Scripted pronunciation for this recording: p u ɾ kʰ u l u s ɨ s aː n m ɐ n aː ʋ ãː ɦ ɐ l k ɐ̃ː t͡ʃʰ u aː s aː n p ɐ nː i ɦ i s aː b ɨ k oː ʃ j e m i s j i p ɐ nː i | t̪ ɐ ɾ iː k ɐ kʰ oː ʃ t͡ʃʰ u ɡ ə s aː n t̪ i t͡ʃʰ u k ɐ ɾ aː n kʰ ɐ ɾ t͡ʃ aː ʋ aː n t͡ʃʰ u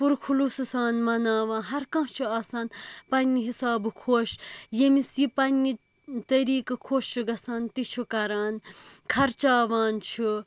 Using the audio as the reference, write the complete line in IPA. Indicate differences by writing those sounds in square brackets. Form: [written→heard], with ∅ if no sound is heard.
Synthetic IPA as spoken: p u ɾ kʰ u l u s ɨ s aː n m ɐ n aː ʋ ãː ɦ ɐ [l→ɾ] k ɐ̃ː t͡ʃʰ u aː s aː n p ɐ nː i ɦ i s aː b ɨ [k→kʰ] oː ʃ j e m i s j i p ɐ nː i | t̪ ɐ ɾ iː k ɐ kʰ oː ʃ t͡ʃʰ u ɡ [ə→ɐ] s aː n t̪ i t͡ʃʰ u k ɐ ɾ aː n kʰ ɐ ɾ t͡ʃ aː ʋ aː n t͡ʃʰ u